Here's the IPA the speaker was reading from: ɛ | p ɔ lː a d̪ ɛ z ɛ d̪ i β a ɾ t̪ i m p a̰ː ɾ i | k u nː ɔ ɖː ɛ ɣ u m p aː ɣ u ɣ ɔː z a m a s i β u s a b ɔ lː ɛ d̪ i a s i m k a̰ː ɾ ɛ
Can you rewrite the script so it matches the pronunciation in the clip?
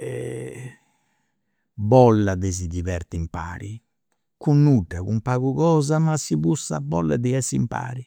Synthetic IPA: ɛ | b ɔ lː a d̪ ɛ z i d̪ i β ɛ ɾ t̪ i m p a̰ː ɾ i | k u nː u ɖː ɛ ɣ u m p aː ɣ u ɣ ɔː z a m a s i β u s a b ɔ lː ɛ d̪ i ɛ s i m p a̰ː ɾ i